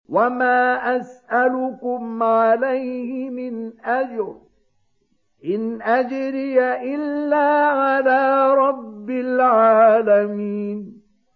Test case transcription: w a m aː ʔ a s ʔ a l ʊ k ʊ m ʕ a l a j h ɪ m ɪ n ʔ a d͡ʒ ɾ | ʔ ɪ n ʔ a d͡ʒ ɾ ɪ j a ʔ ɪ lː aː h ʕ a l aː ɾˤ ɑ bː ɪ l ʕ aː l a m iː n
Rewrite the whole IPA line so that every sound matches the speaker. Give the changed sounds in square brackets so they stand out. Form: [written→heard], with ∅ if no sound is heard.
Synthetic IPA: w a m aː ʔ a s ʔ a l ʊ k ʊ m ʕ a l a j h ɪ m ɪ n ʔ a d͡ʒ ɾ | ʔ ɪ n ʔ a d͡ʒ ɾ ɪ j a ʔ ɪ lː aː [h→∅] ʕ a l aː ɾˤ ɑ bː ɪ l ʕ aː l a m iː n